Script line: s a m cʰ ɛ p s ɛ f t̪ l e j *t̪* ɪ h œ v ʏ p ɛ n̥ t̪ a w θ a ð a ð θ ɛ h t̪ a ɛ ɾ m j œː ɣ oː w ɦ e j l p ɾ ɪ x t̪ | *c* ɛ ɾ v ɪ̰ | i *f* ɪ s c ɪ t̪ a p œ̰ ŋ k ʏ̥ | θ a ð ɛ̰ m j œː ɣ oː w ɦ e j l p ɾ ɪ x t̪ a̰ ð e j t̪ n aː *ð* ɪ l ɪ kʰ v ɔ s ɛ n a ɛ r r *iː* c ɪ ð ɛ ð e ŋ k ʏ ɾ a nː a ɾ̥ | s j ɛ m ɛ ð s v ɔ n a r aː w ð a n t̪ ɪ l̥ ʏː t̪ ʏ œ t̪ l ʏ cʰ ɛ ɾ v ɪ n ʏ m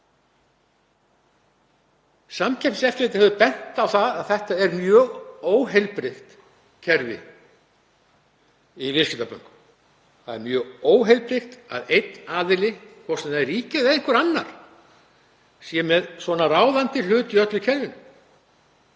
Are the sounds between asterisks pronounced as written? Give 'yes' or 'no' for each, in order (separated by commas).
yes, no, no, yes, yes